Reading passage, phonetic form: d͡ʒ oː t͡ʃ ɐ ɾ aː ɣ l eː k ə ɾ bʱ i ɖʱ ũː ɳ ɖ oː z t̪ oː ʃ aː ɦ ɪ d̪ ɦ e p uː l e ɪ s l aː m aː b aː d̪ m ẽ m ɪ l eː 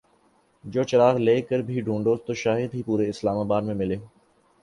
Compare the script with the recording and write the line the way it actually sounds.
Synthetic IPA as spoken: d͡ʒ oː t͡ʃ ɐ ɾ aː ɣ l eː k ə ɾ bʱ i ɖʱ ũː ɳ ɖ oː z t̪ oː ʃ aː ɦ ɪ d̪ ɦ i p uː ɾ e ɪ s l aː m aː b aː d̪ m ẽ m ɪ l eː